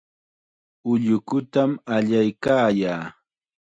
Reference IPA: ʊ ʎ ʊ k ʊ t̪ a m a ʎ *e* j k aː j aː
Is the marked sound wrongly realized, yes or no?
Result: yes